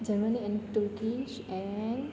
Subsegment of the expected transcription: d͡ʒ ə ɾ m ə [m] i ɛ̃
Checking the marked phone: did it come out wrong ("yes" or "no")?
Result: yes